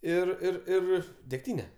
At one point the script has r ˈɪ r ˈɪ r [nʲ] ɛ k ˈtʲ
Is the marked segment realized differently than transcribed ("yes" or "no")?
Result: yes